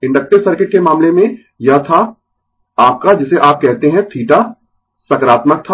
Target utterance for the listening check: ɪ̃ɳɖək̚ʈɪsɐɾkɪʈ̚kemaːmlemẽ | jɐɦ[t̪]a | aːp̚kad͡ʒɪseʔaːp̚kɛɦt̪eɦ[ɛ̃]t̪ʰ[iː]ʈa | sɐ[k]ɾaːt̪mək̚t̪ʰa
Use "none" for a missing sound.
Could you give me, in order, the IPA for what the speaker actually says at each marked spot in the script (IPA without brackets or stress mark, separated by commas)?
t̪ʰ, ɛ̃, iː, k